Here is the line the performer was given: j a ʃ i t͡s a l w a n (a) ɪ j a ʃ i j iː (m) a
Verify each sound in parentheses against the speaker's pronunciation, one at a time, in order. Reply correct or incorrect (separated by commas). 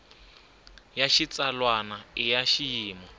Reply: correct, correct